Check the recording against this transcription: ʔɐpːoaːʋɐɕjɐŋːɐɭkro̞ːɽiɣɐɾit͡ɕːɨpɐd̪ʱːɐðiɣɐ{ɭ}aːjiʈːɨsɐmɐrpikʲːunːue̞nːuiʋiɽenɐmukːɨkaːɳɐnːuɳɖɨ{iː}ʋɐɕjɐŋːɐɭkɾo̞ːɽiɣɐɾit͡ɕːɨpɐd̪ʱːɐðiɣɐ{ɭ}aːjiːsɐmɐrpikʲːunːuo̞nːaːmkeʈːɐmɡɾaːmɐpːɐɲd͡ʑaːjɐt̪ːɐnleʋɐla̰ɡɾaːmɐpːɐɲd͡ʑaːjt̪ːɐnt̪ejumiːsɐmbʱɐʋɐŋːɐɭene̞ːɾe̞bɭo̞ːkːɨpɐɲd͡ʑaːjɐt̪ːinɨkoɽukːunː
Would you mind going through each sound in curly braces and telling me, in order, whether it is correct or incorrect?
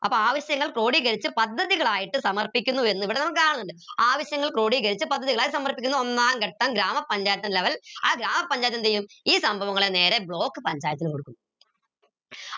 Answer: correct, incorrect, correct

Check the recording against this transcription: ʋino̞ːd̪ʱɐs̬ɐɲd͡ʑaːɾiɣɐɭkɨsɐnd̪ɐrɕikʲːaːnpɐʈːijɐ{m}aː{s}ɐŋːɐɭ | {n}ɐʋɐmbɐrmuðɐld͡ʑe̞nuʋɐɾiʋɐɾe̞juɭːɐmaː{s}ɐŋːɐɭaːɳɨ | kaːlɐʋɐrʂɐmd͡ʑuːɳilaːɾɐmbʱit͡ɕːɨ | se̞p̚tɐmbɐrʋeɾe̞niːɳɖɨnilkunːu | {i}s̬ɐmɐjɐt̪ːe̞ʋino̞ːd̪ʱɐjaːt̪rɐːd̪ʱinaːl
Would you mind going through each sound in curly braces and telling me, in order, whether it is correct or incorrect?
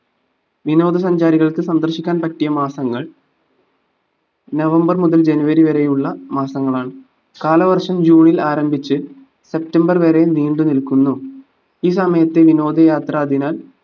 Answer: correct, correct, correct, correct, incorrect

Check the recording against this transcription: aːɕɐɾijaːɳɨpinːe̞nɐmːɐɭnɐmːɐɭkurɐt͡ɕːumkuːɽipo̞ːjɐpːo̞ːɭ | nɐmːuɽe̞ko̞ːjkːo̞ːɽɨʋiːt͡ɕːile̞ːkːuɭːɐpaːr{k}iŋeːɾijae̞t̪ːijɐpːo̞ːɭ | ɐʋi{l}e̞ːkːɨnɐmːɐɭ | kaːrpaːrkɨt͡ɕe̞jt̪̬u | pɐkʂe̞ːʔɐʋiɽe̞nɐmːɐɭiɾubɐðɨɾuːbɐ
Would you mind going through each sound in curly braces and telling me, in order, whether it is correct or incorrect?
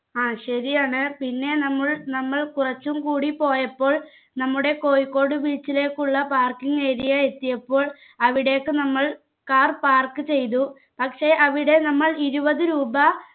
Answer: correct, incorrect

